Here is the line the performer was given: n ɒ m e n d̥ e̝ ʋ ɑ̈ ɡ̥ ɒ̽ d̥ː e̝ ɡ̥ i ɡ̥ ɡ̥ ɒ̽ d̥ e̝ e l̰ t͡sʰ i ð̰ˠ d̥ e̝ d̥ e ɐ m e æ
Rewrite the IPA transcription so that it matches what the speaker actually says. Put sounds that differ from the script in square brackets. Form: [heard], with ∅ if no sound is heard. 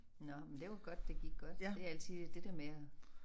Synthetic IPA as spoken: n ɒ m e n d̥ e̝ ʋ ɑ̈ ɡ̥ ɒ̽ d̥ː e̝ ɡ̥ i ɡ̥ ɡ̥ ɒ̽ d̥ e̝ [æ] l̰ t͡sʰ i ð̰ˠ d̥ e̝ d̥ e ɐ m e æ

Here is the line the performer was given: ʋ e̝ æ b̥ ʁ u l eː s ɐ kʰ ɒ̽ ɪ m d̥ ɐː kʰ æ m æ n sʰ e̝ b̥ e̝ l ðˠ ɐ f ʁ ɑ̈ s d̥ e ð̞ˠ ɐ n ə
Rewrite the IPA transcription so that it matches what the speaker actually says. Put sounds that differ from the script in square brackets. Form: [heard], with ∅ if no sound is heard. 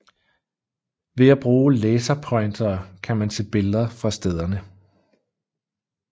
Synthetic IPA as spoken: ʋ e̝ æ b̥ ʁ [uː] l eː s ɐ [pʰ] ɒ̽ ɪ [n] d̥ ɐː kʰ æ m æ n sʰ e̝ b̥ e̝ l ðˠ ɐ f ʁ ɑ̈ s d̥ e ð̞ˠ ɐ n ə

